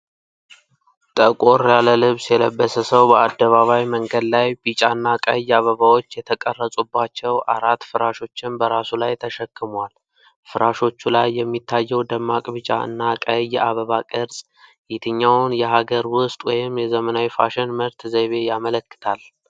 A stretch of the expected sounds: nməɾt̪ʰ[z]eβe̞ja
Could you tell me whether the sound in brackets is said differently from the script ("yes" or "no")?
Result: no